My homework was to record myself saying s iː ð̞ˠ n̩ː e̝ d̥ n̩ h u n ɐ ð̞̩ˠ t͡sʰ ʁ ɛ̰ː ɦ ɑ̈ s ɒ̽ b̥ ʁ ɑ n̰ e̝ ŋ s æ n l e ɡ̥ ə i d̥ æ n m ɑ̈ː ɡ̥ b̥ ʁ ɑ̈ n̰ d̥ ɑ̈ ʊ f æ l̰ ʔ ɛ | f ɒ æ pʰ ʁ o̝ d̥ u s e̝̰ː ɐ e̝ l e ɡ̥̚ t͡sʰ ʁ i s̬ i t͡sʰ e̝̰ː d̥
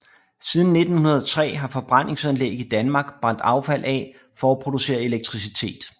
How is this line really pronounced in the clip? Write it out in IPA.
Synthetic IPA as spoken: s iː ð̞ˠ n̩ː e̝ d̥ n̩ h u n ɐ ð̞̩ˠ t͡sʰ ʁ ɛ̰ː ɦ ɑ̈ f ɒ̽ b̥ ʁ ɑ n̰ e̝ ŋ s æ n l e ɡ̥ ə i d̥ æ n m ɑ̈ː ɡ̥ b̥ ʁ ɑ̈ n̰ d̥ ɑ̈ ʊ f æ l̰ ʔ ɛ | f ɒ æ pʰ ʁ o̝ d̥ u s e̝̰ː ɐ e̝ l e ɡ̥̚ t͡sʰ ʁ i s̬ i t͡sʰ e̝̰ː d̥